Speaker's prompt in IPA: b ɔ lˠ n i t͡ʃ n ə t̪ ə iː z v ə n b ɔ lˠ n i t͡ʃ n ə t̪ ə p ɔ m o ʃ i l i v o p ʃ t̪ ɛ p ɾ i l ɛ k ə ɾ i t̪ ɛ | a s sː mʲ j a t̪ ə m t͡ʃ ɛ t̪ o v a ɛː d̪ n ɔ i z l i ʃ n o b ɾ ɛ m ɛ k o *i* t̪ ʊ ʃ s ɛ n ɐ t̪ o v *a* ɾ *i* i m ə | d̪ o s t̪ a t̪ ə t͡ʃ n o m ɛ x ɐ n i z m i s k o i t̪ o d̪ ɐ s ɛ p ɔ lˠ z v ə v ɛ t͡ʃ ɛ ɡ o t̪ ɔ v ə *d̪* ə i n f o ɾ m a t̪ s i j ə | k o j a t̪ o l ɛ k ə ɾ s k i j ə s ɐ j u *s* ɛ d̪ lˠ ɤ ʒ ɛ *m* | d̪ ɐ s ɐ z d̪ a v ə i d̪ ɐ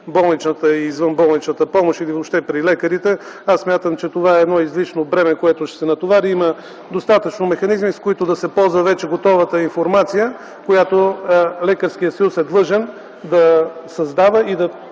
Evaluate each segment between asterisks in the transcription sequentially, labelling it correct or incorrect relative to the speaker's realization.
incorrect: ɛ, correct, correct, incorrect: t̪, correct, incorrect: n

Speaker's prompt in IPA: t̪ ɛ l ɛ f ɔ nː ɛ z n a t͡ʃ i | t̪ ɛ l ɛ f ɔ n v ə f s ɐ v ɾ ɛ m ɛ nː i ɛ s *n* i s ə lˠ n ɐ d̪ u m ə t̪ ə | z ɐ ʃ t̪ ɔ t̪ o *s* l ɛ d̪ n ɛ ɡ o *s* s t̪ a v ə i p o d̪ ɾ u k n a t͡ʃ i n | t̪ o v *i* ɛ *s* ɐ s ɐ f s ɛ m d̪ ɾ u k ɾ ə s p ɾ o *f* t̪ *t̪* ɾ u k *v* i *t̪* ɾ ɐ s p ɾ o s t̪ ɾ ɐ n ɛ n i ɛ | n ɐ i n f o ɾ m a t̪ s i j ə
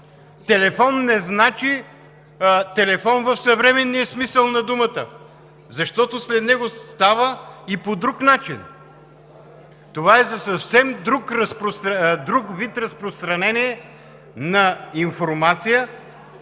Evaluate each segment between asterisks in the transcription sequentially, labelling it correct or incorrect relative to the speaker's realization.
incorrect: m, correct, correct, incorrect: a, incorrect: z, incorrect: s, incorrect: d̪, correct, correct

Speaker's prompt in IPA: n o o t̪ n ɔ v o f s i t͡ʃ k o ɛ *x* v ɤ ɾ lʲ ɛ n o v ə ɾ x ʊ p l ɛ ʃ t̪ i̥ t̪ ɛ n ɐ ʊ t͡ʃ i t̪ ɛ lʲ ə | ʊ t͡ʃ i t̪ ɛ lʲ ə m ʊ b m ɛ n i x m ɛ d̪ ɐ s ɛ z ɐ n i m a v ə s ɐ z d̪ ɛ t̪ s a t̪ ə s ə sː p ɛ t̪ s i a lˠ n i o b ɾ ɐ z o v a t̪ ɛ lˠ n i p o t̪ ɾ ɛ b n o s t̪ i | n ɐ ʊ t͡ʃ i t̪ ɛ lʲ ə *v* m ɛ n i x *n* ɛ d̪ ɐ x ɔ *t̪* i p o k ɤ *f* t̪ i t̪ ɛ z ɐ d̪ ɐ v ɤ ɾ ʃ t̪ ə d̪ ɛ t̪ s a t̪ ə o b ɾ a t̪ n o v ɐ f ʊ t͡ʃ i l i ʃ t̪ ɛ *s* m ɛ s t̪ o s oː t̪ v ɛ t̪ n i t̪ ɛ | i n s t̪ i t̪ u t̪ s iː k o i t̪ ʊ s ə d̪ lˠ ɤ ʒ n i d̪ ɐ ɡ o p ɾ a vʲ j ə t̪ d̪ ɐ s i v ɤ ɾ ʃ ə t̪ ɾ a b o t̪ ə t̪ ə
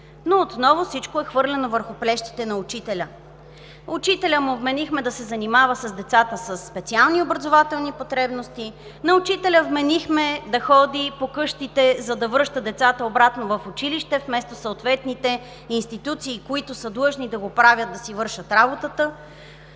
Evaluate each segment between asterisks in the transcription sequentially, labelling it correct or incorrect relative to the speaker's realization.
correct, correct, incorrect: m, incorrect: d̪, incorrect: ʃ, incorrect: f

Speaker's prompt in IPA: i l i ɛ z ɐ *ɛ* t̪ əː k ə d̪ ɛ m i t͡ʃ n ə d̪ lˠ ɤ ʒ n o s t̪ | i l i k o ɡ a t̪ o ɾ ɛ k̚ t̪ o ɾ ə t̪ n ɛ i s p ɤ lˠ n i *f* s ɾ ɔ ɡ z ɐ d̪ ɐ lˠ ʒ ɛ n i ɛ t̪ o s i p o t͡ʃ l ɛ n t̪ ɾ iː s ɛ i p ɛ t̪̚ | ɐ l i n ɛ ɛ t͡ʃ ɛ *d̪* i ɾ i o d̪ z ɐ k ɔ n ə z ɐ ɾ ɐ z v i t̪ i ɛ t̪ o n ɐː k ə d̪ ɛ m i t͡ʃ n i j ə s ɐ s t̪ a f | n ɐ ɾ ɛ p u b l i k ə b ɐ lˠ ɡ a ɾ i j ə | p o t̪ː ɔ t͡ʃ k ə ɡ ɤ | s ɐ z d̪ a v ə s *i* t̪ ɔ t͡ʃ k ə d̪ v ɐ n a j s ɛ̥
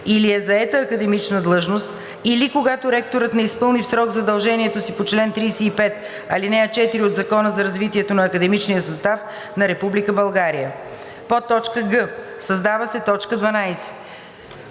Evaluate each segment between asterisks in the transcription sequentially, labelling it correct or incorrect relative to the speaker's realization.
correct, correct, incorrect: t̪, incorrect: ɛ

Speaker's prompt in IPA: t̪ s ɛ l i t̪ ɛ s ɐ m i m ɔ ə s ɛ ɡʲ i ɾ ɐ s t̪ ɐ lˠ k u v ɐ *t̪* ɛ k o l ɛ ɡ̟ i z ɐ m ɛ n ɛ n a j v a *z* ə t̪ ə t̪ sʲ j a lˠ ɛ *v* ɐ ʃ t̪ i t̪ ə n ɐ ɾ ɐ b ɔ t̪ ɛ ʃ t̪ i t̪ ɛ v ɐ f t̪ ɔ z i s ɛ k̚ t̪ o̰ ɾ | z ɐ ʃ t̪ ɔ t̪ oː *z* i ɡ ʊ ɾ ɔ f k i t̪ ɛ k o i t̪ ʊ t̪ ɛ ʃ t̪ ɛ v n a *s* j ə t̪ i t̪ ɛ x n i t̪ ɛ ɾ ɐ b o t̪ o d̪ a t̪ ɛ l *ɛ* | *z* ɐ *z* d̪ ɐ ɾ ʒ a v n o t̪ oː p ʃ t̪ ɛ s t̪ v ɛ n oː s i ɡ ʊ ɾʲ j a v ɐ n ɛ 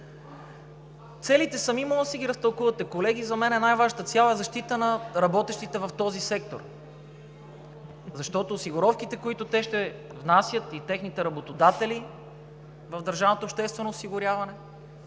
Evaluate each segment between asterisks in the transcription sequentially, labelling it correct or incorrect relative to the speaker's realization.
correct, incorrect: ʒ, incorrect: z, incorrect: s, correct, incorrect: i, incorrect: v, incorrect: v

